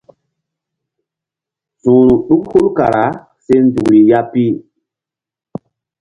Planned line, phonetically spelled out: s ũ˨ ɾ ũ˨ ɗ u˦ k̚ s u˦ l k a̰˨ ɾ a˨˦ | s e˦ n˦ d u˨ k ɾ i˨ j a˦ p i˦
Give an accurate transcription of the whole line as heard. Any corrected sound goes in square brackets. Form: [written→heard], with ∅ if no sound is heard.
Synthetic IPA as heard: s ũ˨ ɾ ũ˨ ɗ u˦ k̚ [s→h] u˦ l k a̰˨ ɾ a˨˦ | s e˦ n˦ d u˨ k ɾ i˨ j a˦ p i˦